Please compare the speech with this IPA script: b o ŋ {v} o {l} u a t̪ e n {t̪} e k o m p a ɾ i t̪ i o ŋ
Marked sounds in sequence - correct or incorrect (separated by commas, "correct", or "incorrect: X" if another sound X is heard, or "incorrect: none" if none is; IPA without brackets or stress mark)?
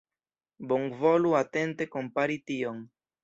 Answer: correct, correct, correct